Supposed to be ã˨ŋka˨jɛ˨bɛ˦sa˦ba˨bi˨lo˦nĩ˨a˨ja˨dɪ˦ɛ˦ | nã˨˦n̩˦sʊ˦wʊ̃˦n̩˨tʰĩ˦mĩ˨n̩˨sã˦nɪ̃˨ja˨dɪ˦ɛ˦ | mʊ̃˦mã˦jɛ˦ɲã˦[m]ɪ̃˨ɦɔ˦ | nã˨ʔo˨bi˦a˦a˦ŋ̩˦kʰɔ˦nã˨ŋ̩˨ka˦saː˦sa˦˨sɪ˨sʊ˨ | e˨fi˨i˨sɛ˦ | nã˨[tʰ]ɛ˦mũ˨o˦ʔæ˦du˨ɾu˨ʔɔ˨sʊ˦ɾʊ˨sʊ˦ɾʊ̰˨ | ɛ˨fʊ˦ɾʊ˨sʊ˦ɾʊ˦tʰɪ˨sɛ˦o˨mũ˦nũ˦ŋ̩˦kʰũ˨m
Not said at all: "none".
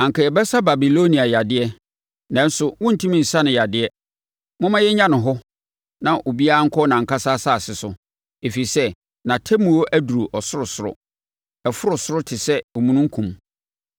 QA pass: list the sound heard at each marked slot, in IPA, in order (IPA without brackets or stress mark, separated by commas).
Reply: n, tʰ